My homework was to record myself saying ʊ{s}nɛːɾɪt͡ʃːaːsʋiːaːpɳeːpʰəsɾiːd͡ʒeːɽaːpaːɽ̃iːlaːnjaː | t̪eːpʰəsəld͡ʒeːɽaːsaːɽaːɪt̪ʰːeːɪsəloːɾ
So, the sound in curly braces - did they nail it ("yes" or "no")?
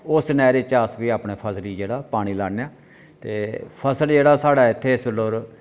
yes